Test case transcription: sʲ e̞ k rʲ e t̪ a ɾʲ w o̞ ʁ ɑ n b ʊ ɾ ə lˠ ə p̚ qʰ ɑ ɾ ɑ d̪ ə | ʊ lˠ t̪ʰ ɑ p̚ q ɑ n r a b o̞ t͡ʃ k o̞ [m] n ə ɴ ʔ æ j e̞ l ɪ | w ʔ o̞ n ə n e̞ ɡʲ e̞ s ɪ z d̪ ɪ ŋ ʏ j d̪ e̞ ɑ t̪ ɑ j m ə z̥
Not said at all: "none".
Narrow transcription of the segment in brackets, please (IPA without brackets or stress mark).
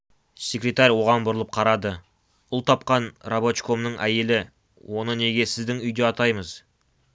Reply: m